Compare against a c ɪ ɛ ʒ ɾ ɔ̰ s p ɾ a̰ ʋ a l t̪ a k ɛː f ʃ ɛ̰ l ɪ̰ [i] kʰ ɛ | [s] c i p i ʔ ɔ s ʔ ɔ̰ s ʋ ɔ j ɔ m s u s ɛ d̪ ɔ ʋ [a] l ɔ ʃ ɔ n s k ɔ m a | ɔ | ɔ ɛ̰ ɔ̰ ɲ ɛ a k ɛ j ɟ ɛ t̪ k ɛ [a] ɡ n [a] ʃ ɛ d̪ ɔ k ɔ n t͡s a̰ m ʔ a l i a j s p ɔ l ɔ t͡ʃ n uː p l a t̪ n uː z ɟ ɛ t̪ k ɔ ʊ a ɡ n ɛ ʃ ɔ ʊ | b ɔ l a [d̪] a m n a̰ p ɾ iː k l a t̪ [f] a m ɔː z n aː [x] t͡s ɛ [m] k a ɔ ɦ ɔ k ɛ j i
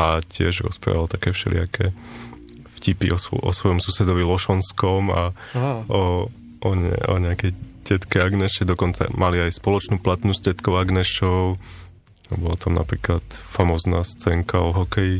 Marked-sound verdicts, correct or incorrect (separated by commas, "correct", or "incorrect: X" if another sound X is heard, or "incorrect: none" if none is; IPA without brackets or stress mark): incorrect: a, incorrect: f, incorrect: i, correct, incorrect: ɛ, incorrect: t̪, correct, incorrect: s, incorrect: ŋ